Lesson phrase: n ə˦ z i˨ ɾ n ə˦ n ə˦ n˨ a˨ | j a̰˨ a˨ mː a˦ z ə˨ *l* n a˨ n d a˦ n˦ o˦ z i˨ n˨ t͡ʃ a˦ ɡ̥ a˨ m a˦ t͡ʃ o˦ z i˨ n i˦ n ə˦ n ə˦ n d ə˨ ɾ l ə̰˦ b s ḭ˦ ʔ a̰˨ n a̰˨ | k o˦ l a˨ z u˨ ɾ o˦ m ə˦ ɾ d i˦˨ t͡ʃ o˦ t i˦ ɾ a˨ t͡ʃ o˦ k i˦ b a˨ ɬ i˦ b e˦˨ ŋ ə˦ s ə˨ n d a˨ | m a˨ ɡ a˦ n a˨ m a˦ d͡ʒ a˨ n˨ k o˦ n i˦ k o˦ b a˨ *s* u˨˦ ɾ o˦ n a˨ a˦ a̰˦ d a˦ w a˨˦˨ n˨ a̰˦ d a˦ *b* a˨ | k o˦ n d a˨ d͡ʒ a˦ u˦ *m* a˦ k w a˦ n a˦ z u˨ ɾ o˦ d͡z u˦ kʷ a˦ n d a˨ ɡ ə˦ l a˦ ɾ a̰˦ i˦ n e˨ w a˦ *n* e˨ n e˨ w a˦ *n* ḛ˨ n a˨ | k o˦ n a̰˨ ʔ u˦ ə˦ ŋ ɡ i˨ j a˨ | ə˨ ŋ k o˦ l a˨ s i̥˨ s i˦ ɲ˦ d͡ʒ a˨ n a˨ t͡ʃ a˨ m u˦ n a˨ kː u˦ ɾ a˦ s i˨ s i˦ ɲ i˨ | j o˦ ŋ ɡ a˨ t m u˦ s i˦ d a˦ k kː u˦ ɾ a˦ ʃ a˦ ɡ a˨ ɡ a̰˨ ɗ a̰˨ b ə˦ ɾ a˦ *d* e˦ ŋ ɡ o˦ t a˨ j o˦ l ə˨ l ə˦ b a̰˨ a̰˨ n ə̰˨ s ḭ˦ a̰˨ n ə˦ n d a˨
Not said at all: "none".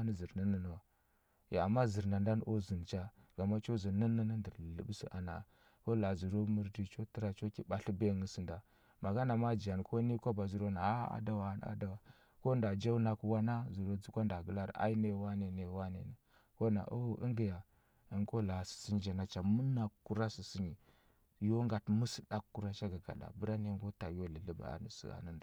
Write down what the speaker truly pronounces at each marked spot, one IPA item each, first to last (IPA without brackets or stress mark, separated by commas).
ɾ, z, w, n, n, n, n